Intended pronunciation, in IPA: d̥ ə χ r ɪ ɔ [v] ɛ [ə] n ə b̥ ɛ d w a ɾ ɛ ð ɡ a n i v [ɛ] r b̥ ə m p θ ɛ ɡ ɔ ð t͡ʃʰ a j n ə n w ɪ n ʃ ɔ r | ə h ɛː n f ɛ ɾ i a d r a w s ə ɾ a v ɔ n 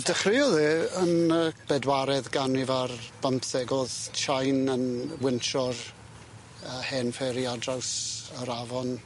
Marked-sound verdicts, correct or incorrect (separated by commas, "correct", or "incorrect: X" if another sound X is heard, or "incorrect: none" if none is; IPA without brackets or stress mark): incorrect: ð, correct, incorrect: a